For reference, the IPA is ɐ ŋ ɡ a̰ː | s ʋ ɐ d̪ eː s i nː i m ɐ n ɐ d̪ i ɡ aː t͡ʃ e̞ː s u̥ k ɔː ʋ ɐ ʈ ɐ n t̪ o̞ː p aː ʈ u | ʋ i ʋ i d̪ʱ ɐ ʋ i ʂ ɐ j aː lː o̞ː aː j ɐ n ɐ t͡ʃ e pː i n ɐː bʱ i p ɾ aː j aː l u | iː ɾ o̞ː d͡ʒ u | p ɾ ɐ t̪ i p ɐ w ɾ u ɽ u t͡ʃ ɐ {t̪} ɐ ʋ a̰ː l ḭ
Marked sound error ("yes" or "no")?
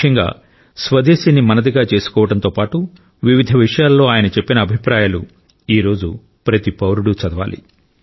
yes